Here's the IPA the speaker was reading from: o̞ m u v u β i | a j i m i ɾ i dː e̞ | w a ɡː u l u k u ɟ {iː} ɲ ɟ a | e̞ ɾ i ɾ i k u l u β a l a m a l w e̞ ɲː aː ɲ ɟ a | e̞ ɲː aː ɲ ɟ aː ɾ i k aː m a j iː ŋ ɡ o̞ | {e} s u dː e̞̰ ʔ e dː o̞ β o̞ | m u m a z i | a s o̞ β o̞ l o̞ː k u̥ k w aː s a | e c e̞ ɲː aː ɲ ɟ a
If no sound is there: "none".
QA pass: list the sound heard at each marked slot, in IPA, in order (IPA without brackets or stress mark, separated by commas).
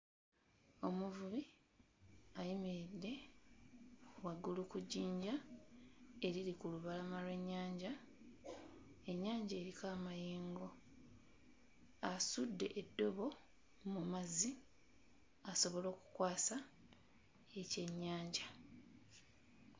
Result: iː, a